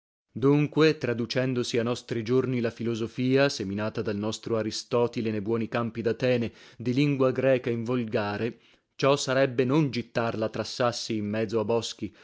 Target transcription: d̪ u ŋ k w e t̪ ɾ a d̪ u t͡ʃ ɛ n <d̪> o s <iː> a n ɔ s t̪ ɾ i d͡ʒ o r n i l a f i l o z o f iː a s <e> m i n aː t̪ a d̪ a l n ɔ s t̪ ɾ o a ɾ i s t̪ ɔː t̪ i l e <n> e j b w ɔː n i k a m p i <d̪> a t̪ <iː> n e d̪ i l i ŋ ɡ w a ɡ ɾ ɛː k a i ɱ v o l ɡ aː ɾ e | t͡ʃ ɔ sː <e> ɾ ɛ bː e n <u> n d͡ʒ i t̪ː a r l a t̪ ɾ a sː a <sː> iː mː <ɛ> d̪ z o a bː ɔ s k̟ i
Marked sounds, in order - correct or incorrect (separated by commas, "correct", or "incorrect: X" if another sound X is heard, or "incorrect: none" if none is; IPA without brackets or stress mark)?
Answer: correct, incorrect: i, correct, correct, correct, incorrect: ɛː, incorrect: a, incorrect: o, correct, correct